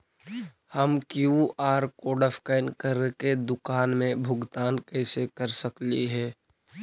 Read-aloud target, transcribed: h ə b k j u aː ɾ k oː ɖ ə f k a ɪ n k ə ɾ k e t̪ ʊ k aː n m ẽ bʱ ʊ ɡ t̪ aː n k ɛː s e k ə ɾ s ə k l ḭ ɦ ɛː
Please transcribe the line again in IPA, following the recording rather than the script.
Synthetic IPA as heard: h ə m k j u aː ɾ k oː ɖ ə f k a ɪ n k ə ɾ k e d̪ ʊ k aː n m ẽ bʱ ʊ ɡ t̪ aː n k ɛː s e k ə ɾ s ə k l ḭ ɦ ɛː